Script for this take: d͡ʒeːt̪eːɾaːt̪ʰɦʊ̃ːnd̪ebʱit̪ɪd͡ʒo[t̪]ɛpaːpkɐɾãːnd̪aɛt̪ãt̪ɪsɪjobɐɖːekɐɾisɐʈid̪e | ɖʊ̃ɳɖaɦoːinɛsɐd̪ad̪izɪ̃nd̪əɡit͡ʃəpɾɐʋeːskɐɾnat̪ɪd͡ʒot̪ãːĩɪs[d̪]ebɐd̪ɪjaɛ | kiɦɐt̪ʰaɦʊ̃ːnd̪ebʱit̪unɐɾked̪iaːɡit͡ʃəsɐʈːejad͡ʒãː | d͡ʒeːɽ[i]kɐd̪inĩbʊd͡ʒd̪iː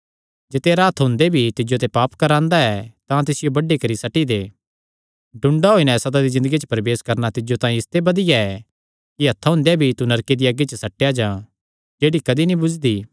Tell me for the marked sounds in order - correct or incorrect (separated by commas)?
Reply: correct, incorrect, correct